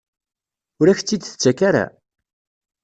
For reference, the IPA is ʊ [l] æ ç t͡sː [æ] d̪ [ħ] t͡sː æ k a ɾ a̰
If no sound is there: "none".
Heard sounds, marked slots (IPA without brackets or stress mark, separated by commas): ɾ, i, θ